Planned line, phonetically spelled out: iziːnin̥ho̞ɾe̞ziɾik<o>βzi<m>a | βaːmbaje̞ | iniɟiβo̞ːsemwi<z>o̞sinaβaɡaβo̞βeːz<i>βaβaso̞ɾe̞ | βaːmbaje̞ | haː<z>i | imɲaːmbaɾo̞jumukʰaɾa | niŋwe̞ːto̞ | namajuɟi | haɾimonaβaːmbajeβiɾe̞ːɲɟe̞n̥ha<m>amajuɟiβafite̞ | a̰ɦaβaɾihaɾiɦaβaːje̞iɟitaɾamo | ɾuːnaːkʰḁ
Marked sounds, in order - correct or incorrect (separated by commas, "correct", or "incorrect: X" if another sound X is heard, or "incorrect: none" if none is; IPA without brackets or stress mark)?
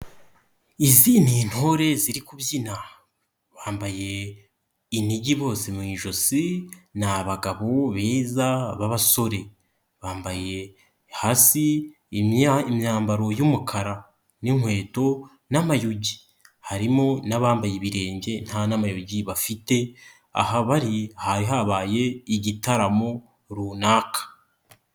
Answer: incorrect: u, incorrect: n, incorrect: ʒ, incorrect: a, incorrect: s, incorrect: n